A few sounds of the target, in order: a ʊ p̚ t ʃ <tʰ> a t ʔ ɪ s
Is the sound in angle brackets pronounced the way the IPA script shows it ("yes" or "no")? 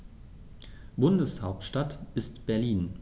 no